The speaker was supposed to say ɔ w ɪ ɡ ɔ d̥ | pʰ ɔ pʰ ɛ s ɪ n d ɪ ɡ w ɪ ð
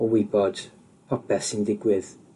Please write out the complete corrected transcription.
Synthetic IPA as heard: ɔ w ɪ b ɔ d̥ | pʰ ɔ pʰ ɛ s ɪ n d ɪ ɡ w ɪ ð

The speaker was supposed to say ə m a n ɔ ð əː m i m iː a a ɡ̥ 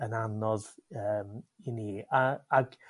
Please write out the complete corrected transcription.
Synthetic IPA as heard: ə n a n ɔ ð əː m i n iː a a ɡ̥

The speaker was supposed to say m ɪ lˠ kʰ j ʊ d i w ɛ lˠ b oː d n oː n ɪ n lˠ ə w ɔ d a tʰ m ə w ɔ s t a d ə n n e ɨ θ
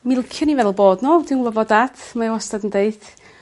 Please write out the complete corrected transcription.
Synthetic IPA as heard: m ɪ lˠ kʰ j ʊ n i v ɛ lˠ b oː d n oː d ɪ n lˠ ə v ɔ d a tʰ m a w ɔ s t a d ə n d e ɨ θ

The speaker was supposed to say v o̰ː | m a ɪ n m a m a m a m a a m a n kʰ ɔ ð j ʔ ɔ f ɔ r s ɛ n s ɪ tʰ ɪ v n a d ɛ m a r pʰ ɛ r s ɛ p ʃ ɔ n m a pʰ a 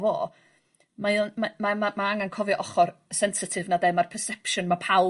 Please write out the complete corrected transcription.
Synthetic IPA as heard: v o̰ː | m a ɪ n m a m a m a m a a ŋ a n kʰ ɔ v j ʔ ɔ χ ɔ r s ɛ n s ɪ tʰ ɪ v n a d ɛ m a r pʰ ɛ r s ɛ p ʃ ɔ n m a pʰ a

